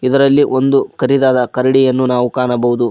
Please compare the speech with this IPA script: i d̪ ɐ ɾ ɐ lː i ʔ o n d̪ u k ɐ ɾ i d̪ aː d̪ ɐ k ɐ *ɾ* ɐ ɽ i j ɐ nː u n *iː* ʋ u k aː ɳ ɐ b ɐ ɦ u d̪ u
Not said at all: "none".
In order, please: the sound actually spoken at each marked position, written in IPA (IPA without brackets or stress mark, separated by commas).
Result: ɾ, aː